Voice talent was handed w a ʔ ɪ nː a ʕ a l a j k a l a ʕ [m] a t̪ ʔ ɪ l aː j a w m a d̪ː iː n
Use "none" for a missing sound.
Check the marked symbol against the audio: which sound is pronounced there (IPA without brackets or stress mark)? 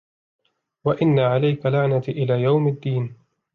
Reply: n